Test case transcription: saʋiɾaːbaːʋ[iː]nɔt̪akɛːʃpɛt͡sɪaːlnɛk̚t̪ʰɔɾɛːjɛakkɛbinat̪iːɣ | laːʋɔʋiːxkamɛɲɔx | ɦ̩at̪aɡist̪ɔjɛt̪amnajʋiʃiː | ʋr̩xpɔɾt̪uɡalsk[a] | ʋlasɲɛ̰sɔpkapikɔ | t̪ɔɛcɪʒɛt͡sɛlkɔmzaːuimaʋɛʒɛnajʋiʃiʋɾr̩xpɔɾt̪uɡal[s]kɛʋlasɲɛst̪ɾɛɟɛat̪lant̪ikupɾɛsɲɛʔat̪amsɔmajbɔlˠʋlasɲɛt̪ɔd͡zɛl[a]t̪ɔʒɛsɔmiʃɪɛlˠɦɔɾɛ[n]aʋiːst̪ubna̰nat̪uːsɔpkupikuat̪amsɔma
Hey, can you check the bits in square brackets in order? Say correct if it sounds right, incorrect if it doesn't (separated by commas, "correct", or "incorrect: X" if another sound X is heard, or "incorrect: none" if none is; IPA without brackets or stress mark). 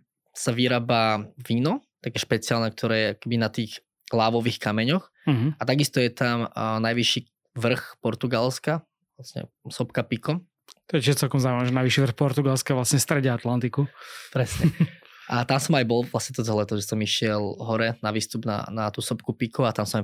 correct, correct, correct, incorrect: ɛ, correct